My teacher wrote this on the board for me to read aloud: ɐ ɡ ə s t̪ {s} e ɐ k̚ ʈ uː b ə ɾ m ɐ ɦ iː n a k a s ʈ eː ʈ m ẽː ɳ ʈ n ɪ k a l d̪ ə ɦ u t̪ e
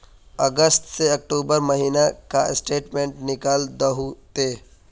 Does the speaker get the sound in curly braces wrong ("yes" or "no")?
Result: no